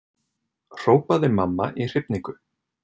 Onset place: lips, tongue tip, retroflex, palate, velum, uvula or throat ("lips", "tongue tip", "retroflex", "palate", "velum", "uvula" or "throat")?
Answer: tongue tip